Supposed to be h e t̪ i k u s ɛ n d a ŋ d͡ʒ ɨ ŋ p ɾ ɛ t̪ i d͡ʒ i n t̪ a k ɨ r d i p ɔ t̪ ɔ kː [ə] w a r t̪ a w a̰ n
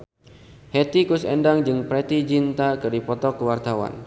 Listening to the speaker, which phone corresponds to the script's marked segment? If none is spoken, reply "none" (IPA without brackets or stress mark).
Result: ə